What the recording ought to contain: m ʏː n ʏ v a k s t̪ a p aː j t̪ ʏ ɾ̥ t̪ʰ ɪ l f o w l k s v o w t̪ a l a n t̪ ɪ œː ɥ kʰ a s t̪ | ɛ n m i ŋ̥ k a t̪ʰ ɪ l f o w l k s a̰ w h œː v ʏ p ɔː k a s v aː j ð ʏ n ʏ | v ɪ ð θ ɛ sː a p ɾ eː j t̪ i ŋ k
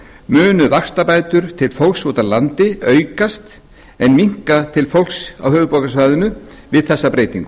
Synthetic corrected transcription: m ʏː n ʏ v a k s t̪ a p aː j t̪ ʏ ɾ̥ t̪ʰ ɪ l f o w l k s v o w t̪ a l a n t̪ ɪ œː ɥ k a s t̪ | ɛ n m i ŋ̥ k a t̪ʰ ɪ l f o w l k s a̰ w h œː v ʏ p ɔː k a s v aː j ð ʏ n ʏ | v ɪ ð θ ɛ sː a p ɾ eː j t̪ i ŋ k